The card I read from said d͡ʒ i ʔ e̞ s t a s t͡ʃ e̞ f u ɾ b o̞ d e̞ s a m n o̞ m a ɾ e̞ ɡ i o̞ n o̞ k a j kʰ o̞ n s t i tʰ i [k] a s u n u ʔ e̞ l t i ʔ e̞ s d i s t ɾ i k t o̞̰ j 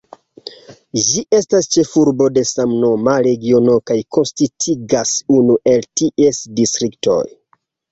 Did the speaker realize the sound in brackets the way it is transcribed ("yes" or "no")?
no